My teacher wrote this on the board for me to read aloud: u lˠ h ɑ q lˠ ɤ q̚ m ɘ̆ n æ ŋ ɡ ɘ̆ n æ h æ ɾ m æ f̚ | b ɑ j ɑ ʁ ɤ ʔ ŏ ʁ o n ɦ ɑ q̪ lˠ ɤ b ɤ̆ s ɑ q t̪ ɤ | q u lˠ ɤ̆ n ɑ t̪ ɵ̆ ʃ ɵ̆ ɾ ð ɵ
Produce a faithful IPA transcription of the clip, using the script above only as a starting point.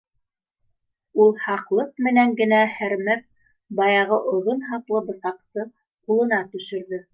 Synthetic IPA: u lˠ h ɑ q lˠ ɤ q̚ m ɘ̆ n æ ŋ ɡ ɘ̆ n æ h æ ɾ m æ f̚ | b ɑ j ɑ ʁ ɤ ʔ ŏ ð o n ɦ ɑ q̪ lˠ ɤ b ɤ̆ s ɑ q t̪ ɤ | q u lˠ ɤ̆ n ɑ t̪ ɵ̆ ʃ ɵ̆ ɾ ð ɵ